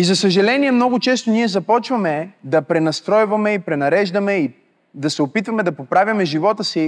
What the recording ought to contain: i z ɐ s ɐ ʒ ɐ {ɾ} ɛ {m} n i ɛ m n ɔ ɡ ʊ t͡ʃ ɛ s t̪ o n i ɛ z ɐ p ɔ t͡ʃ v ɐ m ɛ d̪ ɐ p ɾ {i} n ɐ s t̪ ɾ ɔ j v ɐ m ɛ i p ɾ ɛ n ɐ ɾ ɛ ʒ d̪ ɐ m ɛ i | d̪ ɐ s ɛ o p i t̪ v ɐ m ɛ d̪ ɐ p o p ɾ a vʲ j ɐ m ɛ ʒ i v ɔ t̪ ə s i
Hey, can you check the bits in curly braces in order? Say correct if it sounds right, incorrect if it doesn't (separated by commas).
incorrect, incorrect, incorrect